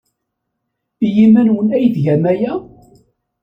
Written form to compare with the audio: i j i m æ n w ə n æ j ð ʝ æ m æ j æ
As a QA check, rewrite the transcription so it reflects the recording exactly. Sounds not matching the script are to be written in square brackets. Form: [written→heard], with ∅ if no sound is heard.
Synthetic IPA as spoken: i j i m æ n w ə n æ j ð ʝ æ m æ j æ